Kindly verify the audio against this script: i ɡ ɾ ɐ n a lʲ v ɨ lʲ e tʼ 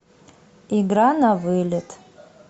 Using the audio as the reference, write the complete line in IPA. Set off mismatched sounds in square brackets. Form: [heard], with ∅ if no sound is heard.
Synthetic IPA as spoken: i ɡ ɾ [a] n a [∅] v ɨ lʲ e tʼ